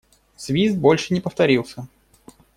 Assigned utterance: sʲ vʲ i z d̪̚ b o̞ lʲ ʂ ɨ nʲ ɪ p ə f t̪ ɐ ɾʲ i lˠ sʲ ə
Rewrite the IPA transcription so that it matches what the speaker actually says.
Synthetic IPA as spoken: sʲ vʲ i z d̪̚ b o̞ lʲ ʂ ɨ nʲ ɪ p ə f t̪ ɐ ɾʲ i lˠ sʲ ə

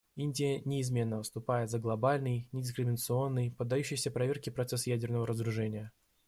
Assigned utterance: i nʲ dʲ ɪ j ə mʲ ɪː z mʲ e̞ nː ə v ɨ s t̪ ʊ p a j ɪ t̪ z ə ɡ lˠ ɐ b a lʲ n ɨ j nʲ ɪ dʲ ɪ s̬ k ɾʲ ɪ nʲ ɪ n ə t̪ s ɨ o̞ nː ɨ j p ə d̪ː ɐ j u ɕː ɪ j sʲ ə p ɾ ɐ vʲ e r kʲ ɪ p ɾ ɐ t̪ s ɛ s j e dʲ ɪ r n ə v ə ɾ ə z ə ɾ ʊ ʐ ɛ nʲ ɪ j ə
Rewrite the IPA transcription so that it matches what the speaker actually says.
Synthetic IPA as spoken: i nʲ dʲ ɪ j ə nʲ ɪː z mʲ e̞ nː ə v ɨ s t̪ ʊ p a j ɪ t̪ z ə ɡ lˠ ɐ b a lʲ n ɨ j nʲ ɪ dʲ ɪ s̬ k ɾʲ ɪ mʲ ɪ n ə t̪ s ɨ o̞ nː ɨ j p ə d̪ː ɐ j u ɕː ɪ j sʲ ə p ɾ ɐ vʲ e r kʲ ɪ p ɾ ɐ t̪ s ɛ s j æ dʲ ɪ r n ə v ə ɾ ə z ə ɾ ʊ ʐ ɛ nʲ ɪ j ə

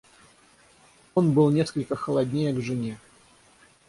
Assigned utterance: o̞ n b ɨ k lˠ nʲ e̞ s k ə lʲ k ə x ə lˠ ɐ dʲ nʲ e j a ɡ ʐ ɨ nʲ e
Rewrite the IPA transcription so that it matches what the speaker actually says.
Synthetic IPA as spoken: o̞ n b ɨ lˠ nʲ e̞ s k ə lʲ k ə x ə lˠ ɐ dʲ nʲ e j ə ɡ ʐ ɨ nʲ e

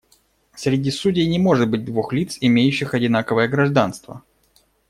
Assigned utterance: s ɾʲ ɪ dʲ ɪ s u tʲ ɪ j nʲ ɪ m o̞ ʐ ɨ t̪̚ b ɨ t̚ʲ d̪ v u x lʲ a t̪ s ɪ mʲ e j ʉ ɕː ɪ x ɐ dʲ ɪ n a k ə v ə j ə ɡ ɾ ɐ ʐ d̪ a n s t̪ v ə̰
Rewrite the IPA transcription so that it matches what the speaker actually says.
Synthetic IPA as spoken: s ɾʲ ɪ dʲ i s u dʲ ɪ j nʲ ɪ m o̞ ʐ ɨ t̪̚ b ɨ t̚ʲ d̪ v u x lʲ i t̪ s ɪ mʲ e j ʉ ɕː ɪ x ɐ dʲ ɪ n a k ə v ə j ə ɡ ɾ ɐ ʐ d̪ a n s t̪ v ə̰

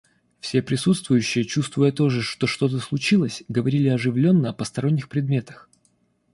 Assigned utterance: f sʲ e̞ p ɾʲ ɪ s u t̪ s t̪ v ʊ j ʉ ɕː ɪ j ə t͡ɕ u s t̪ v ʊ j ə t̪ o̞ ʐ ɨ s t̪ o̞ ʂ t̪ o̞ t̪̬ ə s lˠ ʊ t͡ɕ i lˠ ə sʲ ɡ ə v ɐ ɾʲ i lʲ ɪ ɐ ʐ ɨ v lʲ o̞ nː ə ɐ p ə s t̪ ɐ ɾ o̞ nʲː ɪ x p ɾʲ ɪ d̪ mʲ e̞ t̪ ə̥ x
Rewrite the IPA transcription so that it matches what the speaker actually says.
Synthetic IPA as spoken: f sʲ e̞ p ɾʲ ɪ s u t̪ s t̪ v ʊ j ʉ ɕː ɪ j ə t͡ɕ u s t̪ v ʊ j ə t̪ o̞ ʐ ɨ ʂ t̪ o̞ ʂ t̪ o̞ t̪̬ ə s lˠ ʊ t͡ɕ i lˠ ə sʲ ɡ ə v ɐ ɾʲ i lʲ ɪ ɐ ʐ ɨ v lʲ o̞ nː ə ɐ p ə s t̪ ɐ ɾ o̞ nʲː ɪ x p ɾʲ ɪ d̪ mʲ e̞ t̪ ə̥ x

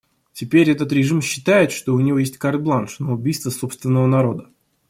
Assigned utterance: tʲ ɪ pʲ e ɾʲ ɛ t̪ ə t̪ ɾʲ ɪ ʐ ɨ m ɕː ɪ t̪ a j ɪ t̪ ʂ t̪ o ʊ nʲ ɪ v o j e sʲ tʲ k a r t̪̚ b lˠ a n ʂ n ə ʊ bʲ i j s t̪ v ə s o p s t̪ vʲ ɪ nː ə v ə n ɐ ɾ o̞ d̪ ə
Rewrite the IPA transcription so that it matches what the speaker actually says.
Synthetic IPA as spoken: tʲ ɪ pʲ e ɾʲ ɛ t̪ ə t̪ ɾʲ ɪ ʐ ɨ m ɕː ɪ t̪ a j ɪ t̪ ʂ t̪ o ʊ nʲ ɪ v o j e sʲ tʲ k a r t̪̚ b lˠ a n ʂ n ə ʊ bʲ i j s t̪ v ə s o p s t̪ vʲ ɪ nː ə v ə n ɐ ɾ o̞ d̪ ə

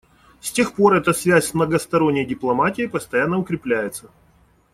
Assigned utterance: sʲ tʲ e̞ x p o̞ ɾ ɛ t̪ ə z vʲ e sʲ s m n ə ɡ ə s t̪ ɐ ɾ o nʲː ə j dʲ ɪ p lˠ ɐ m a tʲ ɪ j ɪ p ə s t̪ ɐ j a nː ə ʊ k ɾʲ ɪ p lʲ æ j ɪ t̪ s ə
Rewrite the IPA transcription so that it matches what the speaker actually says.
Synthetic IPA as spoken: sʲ tʲ e̞ x p o̞ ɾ ɛ t̪ ə s vʲ æ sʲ s m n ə ɡ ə s t̪ ɐ ɾ o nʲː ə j dʲ ɪ p lˠ ɐ m a tʲ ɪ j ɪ p ə s t̪ ɐ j a nː ə ʊ k ɾʲ ɪ p lʲ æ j ɪ t̪ s ə

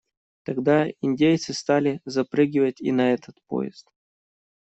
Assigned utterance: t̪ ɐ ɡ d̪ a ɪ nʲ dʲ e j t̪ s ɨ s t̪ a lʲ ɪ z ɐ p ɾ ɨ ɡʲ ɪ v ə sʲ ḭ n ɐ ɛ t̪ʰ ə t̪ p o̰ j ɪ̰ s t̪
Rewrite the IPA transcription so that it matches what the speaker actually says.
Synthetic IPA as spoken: t̪ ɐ ɡ d̪ a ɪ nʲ dʲ e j t̪ s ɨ s t̪ a lʲ ɪ z ɐ p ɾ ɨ ɡʲ ɪ v ə tʲ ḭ n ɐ ɛ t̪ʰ ə t̪ p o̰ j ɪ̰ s t̪

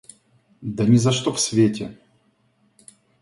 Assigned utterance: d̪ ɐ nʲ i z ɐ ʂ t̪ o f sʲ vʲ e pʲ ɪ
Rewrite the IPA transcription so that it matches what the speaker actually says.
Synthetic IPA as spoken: d̪ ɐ nʲ ɪ z ɐ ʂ t̪ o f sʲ vʲ e tʲ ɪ

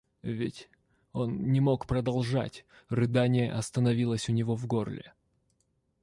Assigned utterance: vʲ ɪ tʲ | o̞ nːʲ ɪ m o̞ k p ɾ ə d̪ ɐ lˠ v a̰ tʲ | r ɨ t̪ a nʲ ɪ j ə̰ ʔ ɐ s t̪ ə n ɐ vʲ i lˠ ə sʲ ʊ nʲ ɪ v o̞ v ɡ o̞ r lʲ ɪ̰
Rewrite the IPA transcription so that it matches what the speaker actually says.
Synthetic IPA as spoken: vʲ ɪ tʲ | o̞ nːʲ ɪ m o̞ k p ɾ ə d̪ ɐ lˠ ʐ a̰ tʲ | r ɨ d̪ a nʲ ɪ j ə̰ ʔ ɐ s t̪ ə n ɐ vʲ i lˠ ə sʲ ʊ nʲ ɪ v o̞ v ɡ o̞ r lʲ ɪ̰

